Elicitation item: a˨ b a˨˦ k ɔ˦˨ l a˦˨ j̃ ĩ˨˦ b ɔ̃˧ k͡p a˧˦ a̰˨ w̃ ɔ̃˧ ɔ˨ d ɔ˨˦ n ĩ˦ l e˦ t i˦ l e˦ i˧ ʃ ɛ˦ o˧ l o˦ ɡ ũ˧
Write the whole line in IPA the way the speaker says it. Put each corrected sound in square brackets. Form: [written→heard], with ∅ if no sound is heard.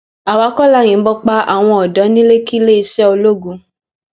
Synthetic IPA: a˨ [b→w] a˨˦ k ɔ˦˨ l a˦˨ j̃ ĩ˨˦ b [ɔ̃˧→ɔ˧] k͡p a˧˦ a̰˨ w̃ ɔ̃˧ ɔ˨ d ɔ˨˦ n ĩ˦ l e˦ [t→k] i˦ l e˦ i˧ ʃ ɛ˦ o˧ l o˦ ɡ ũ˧